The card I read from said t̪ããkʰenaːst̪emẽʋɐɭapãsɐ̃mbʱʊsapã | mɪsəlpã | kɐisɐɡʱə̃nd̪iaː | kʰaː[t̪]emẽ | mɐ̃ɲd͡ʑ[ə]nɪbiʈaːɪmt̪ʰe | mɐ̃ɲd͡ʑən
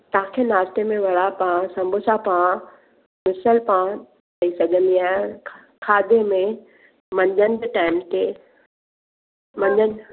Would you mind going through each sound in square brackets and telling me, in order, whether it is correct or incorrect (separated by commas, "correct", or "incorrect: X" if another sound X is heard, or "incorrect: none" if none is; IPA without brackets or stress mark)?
incorrect: d̪, correct